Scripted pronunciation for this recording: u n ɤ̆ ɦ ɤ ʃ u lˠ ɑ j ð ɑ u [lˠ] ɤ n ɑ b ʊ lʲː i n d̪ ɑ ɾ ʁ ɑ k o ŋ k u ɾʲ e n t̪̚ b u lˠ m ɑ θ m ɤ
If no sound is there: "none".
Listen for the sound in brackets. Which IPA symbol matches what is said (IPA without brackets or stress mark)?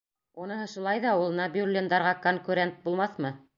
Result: lˠ